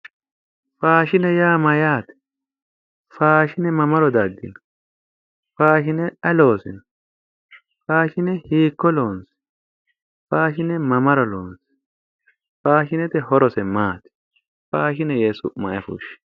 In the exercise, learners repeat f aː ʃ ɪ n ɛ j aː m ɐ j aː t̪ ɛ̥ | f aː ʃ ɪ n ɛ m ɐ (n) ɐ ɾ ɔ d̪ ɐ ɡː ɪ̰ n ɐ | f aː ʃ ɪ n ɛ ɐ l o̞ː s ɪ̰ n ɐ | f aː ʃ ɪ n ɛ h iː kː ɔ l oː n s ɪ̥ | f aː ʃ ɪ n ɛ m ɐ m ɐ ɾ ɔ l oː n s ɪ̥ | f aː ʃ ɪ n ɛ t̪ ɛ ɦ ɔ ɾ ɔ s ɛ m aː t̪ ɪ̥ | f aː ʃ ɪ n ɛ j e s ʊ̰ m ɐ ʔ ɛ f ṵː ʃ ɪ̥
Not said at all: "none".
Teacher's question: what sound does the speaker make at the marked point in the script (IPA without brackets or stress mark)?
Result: m